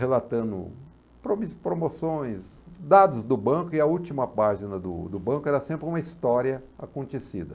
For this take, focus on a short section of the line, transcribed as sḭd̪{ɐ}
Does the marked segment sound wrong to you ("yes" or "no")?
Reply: no